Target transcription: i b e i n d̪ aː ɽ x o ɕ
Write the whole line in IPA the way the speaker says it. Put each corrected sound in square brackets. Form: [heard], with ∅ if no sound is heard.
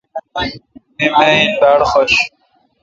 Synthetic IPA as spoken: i [m] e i n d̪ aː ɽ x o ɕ